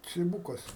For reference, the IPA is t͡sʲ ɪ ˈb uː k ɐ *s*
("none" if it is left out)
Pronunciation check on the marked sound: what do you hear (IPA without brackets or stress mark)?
s